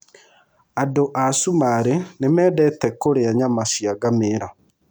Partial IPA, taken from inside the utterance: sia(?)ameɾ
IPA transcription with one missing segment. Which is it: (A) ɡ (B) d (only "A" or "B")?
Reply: A